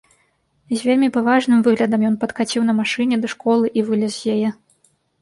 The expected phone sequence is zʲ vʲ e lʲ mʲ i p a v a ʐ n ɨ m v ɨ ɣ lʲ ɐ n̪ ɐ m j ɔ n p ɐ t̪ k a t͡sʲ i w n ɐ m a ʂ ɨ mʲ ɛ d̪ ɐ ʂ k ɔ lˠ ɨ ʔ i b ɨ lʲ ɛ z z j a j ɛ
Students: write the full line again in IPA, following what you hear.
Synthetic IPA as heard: zʲ vʲ e lʲ mʲ i p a v a ʐ n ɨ m v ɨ ɣ lʲ ɐ d̪ ɐ m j ɔ n p ɐ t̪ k a t͡sʲ i w n ɐ m a ʂ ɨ nʲ ɛ d̪ ɐ ʂ k ɔ lˠ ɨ ʔ i v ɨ lʲ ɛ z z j a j ɛ